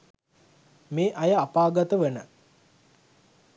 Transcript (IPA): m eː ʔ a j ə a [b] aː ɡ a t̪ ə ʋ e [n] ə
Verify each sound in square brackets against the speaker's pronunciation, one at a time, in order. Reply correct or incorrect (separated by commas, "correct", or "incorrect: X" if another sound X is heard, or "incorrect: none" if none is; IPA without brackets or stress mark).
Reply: incorrect: p, correct